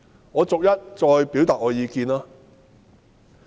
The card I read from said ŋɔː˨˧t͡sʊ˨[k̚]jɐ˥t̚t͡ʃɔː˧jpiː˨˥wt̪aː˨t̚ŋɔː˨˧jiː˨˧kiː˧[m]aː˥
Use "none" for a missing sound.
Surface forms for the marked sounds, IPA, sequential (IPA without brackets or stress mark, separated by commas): k̚, n